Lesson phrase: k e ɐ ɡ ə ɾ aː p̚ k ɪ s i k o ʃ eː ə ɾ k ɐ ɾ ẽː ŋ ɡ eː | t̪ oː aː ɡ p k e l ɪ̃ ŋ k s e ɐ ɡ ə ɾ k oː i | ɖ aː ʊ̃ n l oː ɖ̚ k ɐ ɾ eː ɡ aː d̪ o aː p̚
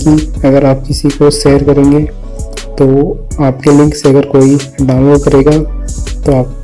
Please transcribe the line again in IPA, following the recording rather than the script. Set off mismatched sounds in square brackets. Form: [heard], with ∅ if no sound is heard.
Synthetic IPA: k [i] ɐ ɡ ə ɾ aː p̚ k ɪ s i k o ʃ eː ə ɾ k ɐ ɾ ẽː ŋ ɡ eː | t̪ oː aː [∅] p k e l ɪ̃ ŋ k s e ɐ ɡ ə ɾ k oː i | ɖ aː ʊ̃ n l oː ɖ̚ k ɐ ɾ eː ɡ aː [t̪] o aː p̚

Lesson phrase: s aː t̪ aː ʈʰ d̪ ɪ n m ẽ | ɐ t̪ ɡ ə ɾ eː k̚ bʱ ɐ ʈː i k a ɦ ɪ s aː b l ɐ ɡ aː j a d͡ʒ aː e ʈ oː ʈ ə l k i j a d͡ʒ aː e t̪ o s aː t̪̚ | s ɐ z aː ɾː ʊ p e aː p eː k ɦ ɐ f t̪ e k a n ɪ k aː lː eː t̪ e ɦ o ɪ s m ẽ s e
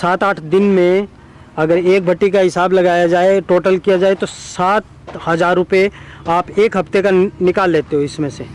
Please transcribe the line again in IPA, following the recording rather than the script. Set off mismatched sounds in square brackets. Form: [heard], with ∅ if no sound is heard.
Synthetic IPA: s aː t̪ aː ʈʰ d̪ ɪ n m ẽ | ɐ [∅] ɡ ə ɾ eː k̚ bʱ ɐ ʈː i k a ɦ ɪ s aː b l ɐ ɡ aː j a d͡ʒ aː e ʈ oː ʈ ə l k i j a d͡ʒ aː e t̪ o s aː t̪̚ | [h] ɐ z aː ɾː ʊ p e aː p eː k ɦ ɐ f t̪ e k a n ɪ k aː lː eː t̪ e ɦ o ɪ s m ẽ s e

